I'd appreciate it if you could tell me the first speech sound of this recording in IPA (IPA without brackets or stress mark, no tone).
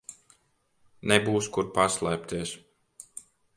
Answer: n